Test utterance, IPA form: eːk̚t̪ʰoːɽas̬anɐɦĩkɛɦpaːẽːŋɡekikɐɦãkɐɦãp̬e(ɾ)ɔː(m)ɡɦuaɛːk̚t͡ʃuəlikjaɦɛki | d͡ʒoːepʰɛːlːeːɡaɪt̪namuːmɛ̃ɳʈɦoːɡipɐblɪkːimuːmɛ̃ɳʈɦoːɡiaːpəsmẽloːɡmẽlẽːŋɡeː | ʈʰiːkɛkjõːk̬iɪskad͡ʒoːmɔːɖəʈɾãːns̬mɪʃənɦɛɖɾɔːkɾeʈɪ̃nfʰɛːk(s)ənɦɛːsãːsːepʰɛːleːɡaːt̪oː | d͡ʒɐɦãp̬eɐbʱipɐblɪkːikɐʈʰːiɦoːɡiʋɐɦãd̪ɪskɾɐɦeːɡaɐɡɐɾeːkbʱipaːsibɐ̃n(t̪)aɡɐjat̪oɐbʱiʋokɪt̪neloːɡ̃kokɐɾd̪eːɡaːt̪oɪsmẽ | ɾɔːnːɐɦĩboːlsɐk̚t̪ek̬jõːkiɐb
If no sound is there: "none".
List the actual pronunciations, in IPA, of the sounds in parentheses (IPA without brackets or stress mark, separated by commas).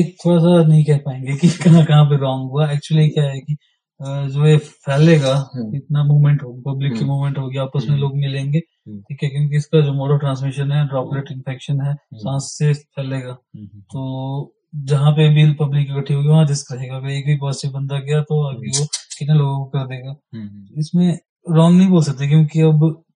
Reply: ɾ, ŋ, ʃ, d̪